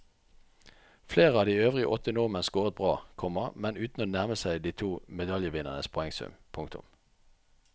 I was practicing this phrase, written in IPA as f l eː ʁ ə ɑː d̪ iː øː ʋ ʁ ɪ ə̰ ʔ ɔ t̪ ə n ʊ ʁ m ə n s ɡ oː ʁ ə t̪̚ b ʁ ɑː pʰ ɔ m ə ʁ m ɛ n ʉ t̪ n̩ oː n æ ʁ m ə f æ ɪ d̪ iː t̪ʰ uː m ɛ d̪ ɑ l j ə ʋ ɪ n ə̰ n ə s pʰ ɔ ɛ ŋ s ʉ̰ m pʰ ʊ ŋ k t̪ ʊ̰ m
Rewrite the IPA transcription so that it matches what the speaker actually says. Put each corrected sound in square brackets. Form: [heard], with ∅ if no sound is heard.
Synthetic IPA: f l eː ʁ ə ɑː d̪ iː øː ʋ ʁ ɪ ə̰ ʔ ɔ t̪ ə n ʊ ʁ m ə n s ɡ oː ʁ ə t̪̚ b ʁ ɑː [kʰ] ɔ m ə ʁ m ɛ n [ʉː] t̪ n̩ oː n æ ʁ m ə [s] æ ɪ d̪ iː t̪ʰ uː m ɛ d̪ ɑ l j ə ʋ ɪ n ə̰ n ə s pʰ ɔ ɛ ŋ s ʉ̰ m pʰ ʊ ŋ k t̪ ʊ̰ m